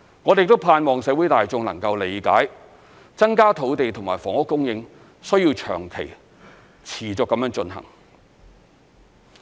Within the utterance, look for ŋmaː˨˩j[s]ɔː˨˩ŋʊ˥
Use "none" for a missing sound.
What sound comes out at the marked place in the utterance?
f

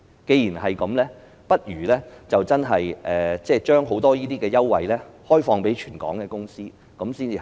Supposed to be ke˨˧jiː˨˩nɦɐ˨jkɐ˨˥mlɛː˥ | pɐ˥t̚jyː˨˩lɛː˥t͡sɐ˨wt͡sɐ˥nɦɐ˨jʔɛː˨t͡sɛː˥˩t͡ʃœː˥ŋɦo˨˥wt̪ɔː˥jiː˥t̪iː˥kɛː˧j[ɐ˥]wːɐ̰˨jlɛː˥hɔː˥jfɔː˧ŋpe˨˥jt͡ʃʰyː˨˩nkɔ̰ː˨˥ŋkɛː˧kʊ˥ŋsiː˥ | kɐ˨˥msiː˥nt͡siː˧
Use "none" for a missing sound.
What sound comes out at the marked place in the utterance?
ɐ˥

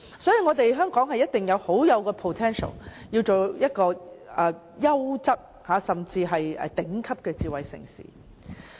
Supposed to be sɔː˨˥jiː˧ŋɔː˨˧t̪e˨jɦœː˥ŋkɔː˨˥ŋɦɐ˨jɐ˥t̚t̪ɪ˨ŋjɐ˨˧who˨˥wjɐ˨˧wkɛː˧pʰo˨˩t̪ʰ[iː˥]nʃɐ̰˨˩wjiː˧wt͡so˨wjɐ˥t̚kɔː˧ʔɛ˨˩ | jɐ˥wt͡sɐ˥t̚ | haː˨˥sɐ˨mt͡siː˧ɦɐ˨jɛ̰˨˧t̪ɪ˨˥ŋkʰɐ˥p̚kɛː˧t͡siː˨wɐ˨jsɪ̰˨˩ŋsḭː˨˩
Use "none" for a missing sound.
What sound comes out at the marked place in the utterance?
ɛː˥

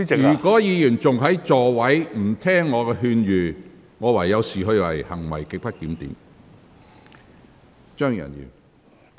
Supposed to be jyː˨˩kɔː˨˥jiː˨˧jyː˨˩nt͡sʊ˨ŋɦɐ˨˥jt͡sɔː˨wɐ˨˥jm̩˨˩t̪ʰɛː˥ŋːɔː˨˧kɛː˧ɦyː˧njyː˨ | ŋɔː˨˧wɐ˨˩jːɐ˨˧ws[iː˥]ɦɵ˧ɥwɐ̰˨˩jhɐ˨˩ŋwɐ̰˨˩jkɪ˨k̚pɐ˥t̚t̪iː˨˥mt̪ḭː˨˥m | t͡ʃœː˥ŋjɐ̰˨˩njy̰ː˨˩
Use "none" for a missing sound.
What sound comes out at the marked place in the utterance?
iː˨˩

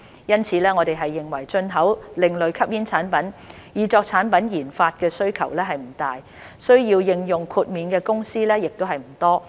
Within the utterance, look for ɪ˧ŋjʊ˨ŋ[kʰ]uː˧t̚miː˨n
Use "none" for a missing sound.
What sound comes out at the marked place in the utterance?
kʰ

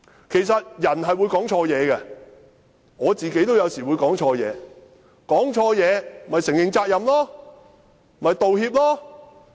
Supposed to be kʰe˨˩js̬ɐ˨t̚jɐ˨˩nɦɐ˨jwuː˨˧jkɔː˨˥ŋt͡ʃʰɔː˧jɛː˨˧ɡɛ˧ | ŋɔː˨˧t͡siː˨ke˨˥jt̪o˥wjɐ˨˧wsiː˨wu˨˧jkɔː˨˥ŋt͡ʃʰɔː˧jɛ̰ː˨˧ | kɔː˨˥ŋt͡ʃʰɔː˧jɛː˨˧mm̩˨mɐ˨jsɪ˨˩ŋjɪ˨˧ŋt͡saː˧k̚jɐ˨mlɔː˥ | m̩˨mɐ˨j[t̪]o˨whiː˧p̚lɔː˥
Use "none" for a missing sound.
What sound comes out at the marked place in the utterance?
t̪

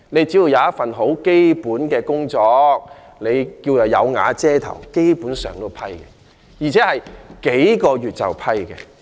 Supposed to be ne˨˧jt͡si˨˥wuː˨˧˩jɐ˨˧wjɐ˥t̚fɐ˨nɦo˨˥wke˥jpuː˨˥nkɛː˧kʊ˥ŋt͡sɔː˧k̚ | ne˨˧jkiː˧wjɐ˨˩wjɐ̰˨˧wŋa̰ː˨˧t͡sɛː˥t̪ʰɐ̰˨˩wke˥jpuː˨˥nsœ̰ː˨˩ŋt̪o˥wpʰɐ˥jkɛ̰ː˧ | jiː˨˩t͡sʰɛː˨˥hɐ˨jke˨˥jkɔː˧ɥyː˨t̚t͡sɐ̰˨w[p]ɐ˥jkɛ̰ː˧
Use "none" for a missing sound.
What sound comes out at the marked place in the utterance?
pʰ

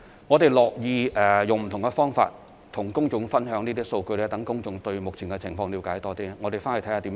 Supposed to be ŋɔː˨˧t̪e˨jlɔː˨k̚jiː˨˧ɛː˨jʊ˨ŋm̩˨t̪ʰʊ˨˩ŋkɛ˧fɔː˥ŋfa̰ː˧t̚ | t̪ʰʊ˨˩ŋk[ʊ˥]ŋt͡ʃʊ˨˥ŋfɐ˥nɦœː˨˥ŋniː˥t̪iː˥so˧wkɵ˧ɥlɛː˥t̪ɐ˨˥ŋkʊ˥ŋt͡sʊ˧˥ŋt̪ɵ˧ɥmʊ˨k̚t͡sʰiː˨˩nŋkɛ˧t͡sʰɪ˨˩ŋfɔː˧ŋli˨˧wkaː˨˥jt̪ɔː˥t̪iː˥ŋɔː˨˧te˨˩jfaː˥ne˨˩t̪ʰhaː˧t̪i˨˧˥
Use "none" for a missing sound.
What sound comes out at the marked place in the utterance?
ʊ˥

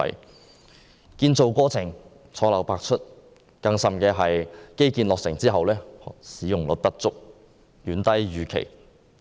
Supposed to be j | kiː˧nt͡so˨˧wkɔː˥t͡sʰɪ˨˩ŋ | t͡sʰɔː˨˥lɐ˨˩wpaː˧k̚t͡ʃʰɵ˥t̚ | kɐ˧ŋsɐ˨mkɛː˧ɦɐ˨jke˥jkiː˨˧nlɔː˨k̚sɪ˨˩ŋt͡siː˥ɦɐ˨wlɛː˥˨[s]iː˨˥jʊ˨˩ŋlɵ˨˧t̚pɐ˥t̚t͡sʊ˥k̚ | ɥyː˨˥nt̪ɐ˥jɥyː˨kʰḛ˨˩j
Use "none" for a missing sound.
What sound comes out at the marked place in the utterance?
s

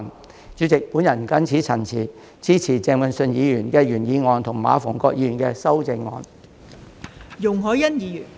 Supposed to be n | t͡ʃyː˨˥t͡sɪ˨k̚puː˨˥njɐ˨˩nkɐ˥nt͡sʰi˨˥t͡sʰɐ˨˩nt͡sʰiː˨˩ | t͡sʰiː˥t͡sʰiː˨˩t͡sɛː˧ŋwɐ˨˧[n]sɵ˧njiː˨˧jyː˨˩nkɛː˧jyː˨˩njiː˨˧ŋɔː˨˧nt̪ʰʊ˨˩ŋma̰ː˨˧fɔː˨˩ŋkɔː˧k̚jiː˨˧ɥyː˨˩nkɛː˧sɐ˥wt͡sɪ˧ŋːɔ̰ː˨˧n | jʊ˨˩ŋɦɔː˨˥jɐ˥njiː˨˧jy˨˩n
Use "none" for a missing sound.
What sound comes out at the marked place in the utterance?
n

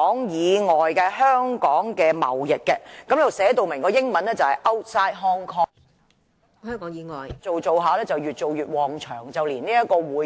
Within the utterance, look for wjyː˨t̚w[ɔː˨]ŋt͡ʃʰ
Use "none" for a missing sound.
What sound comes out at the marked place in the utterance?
ɔː˨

